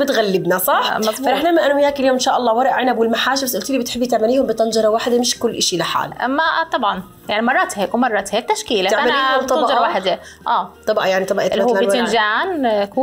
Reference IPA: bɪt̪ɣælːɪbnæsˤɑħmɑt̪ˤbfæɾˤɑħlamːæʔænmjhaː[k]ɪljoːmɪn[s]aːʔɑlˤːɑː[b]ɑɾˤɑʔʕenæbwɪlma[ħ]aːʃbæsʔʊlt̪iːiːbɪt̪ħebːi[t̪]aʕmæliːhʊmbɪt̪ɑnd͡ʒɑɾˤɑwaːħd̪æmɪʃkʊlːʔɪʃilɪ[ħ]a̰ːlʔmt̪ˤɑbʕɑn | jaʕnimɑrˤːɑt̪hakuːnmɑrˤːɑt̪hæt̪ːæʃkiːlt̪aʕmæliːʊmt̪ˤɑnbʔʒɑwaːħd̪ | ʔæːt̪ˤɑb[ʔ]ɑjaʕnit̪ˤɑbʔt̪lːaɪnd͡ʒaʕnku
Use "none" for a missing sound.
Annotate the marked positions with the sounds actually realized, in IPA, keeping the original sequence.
k, ʃ, w, ħ, t̪, ħ, ʔ

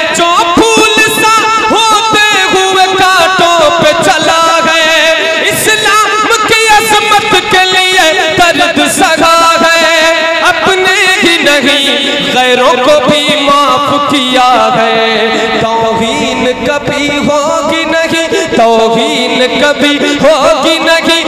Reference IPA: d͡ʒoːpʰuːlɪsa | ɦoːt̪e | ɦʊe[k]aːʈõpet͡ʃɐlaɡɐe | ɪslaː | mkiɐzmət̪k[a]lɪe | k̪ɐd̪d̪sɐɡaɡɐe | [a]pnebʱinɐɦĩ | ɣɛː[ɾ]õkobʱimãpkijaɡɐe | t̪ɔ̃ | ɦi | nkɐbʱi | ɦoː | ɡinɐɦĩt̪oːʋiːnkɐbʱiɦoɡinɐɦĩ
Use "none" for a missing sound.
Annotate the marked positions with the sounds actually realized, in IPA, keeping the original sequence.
k, e, ɐ, ɾ

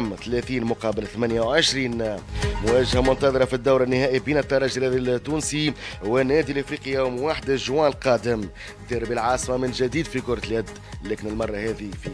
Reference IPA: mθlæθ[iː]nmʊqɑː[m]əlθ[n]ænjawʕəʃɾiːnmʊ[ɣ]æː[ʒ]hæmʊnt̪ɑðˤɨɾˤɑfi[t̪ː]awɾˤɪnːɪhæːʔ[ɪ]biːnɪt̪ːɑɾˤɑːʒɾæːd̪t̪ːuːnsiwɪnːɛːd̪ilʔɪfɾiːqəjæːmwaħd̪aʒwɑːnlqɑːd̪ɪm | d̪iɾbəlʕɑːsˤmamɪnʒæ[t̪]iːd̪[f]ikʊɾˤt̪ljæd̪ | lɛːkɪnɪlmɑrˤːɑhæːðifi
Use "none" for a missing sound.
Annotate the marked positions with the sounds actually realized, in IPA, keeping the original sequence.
iː, b, m, w, ʒ, d̪ː, i, d̪, f

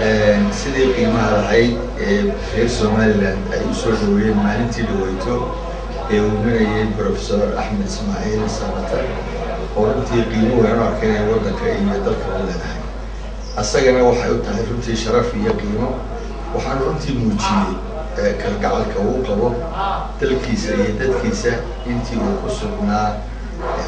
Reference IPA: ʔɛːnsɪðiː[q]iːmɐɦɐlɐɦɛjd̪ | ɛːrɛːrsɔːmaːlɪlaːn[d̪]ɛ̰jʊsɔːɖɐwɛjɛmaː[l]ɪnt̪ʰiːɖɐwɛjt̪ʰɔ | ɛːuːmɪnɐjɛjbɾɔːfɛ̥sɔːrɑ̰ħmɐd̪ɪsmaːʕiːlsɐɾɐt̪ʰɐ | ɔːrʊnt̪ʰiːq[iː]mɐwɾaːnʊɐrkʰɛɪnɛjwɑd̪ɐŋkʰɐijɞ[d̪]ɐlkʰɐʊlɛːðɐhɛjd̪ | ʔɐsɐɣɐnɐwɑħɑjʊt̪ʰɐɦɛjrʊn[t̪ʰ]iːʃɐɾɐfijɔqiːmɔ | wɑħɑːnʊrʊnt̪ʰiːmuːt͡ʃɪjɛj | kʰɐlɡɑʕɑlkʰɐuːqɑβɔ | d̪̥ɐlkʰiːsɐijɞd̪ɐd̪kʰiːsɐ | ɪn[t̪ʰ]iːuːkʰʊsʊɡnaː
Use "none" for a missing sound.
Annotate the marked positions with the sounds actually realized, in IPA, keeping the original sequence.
q, d̪, l, iː, d̪, t̪ʰ, t̪ʰ

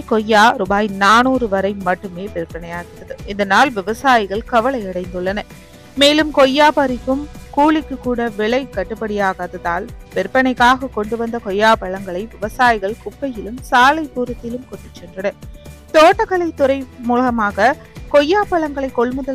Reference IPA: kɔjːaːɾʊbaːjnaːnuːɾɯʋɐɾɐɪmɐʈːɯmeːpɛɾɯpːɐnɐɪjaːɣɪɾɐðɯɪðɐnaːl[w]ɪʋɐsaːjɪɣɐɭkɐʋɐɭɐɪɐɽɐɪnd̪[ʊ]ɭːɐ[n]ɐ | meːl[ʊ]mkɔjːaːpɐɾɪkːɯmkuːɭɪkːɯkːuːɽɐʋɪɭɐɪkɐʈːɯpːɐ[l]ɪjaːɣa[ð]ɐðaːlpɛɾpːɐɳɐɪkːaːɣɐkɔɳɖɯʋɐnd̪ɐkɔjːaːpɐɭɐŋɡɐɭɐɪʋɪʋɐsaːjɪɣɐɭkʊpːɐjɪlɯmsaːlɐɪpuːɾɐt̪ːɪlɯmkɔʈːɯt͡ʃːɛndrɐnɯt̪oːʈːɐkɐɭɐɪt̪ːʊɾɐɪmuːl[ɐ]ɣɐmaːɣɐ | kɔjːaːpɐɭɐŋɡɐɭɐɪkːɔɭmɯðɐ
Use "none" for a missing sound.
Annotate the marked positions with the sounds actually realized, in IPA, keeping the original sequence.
ʋ, ɯ, n, ɯ, ɽ, ð, ɐ

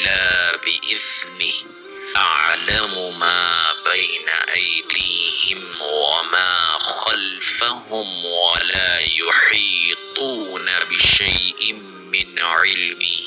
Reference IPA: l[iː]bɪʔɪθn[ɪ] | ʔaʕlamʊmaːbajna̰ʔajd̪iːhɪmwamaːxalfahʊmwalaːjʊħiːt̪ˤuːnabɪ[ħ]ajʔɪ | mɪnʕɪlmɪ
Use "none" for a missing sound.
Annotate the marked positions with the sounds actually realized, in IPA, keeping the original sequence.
aː, ɪ, ʃ

